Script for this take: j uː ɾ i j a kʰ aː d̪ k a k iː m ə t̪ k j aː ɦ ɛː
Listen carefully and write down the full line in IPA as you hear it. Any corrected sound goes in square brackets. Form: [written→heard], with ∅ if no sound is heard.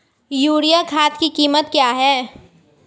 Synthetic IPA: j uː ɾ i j a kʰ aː [d̪→t̪] k [a→i] k iː m ə t̪ k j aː ɦ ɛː

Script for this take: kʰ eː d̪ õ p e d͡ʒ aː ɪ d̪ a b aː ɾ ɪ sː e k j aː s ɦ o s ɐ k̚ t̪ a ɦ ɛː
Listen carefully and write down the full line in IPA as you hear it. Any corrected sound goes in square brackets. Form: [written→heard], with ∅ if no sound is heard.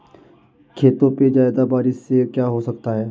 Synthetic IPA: kʰ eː [d̪→t̪] õ p e d͡ʒ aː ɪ d̪ a b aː ɾ ɪ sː e k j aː [s→∅] ɦ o s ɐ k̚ t̪ a ɦ ɛː

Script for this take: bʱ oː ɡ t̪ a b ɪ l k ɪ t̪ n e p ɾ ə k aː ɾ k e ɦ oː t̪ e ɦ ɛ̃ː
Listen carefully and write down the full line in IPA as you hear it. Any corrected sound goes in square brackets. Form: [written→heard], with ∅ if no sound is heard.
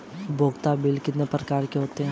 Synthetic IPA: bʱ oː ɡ t̪ a b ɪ l k ɪ t̪ n e p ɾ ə k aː ɾ k e ɦ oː t̪ e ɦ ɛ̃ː

